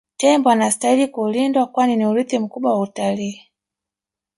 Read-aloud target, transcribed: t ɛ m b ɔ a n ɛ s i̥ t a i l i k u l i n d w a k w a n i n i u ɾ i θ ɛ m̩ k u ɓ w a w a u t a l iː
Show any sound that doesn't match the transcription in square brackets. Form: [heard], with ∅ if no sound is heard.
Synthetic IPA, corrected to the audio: t ɛ m b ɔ a n [a] s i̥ t a i l i k u l i n d w a k w a n i n i u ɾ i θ [i] m̩ k u ɓ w a w a u t a l iː